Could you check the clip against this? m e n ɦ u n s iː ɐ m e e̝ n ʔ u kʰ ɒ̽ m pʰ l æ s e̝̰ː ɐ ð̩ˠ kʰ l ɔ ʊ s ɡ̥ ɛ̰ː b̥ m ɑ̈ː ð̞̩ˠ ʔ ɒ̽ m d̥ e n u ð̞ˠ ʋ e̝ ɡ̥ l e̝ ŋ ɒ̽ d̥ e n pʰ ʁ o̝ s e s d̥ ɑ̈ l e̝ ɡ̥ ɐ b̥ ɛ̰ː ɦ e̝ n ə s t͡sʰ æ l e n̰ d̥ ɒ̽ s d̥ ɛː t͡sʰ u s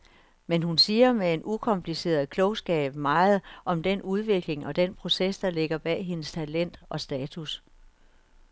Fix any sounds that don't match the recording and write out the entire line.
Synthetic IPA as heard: m e n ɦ u n s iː ɐ m e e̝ n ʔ u kʰ ɒ̽ m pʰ l i s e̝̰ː ɐ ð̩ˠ kʰ l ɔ ʊ s ɡ̥ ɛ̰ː b̥ m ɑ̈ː ð̞̩ˠ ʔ ɒ̽ m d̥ e n u ð̞ˠ ʋ e̝ ɡ̥ l e̝ ŋ ɒ̽ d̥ e n pʰ ʁ o̝ s e s d̥ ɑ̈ l e̝ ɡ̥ ɐ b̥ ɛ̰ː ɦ e̝ n ə s t͡sʰ æ l e n̰ d̥ ɒ̽ s d̥ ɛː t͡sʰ u s